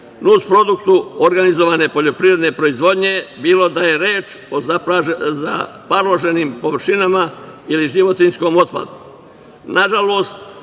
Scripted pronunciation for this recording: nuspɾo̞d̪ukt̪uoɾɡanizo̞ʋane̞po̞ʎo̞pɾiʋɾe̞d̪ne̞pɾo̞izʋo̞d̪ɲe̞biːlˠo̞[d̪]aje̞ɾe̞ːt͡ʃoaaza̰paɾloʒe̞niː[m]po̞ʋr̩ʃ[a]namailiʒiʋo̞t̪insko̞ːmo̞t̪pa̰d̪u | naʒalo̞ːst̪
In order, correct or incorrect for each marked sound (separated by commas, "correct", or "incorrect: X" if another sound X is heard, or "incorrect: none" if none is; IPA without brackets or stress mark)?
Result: correct, correct, incorrect: i